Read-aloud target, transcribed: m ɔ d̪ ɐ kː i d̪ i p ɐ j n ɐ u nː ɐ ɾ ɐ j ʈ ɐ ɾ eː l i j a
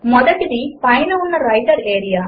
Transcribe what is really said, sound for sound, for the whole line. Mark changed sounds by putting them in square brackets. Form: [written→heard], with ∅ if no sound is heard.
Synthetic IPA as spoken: m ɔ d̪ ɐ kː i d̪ i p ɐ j n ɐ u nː ɐ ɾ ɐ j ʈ ɐ ɾ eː [l→ɾ] i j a